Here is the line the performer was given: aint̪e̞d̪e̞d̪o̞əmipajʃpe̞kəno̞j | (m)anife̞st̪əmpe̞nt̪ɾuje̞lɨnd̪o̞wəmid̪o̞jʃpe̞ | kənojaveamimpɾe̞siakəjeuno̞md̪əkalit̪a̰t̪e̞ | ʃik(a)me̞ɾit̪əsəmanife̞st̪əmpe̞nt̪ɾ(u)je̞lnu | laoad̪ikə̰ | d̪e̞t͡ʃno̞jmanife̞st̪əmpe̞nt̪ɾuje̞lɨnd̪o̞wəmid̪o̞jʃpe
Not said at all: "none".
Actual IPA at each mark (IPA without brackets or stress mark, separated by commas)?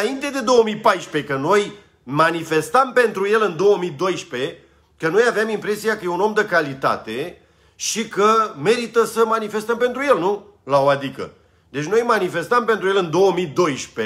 m, ə, u